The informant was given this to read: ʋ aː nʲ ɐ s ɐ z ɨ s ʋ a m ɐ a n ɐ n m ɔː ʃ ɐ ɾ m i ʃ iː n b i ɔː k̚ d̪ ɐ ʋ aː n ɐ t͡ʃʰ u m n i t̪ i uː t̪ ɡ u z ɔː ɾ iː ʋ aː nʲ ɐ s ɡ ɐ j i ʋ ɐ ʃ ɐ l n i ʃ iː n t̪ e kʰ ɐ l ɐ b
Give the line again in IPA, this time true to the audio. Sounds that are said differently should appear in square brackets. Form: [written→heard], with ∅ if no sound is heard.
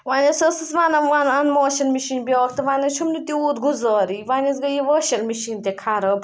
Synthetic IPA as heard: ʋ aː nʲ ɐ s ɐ [z→s] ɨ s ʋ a [m→n] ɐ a n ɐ n m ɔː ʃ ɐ [ɾ→l] m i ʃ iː n b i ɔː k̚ [d̪→t̪] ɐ ʋ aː n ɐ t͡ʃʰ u m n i t̪ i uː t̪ ɡ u z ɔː ɾ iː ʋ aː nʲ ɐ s ɡ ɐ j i ʋ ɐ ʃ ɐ l [n→m] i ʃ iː n t̪ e kʰ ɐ [l→ɾ] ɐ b